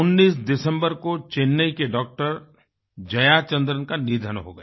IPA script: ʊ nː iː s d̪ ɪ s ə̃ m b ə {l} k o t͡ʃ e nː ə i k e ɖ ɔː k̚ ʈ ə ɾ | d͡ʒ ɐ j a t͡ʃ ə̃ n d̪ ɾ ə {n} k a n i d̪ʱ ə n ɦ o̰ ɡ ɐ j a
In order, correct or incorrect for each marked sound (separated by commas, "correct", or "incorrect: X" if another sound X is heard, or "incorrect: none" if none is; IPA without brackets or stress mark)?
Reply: incorrect: ɾ, correct